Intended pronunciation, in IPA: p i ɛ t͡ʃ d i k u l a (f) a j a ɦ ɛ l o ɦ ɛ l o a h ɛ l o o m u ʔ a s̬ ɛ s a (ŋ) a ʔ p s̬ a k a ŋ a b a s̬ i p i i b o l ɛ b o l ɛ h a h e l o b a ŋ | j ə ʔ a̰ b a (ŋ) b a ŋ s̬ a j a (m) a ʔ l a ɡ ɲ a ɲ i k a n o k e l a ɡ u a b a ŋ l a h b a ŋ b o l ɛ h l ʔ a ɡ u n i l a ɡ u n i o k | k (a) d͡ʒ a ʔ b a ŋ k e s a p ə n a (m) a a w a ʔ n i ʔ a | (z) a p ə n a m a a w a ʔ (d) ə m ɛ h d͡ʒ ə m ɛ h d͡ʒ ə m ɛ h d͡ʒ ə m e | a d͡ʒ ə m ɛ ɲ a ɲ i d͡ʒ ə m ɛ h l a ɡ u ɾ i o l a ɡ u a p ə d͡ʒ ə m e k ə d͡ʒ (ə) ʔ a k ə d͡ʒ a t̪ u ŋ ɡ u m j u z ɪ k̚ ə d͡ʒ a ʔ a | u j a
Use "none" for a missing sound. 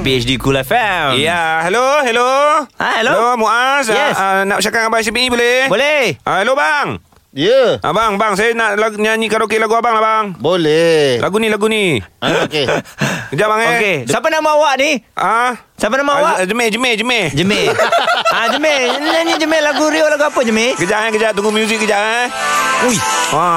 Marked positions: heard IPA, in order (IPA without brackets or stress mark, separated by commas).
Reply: f, n, ŋ, n, ə, m, s, d͡ʒ, a